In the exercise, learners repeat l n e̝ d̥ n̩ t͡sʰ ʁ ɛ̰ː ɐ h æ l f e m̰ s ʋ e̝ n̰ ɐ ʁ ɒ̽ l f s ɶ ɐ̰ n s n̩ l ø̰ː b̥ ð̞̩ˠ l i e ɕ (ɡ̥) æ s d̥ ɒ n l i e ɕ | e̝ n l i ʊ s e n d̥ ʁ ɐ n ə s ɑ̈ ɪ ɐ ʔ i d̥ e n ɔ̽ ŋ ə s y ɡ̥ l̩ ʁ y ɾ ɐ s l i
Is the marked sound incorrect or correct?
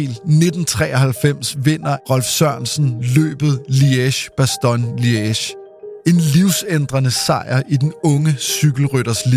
incorrect